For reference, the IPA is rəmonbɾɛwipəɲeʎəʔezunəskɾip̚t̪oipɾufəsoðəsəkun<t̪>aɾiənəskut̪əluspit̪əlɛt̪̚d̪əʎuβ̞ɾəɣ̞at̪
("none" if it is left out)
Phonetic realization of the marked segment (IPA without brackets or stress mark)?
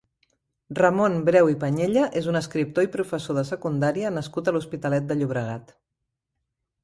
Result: d̪